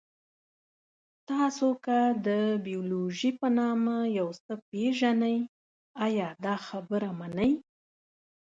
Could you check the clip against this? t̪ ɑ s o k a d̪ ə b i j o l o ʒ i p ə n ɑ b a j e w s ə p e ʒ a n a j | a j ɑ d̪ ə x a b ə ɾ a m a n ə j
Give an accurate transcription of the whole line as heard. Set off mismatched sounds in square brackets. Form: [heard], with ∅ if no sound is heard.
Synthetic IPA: t̪ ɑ s o k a d̪ ə b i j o l o ʒ i p ə n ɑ [m] a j [a] w s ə p e ʒ a n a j | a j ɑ d̪ [ɑ] x a b ə ɾ a m a n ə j